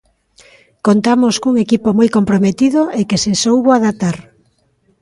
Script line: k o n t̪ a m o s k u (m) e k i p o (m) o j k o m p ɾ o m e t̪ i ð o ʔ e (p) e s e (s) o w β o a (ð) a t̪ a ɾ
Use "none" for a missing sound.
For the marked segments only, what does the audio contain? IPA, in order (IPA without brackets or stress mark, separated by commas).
ŋ, m, k, s, ð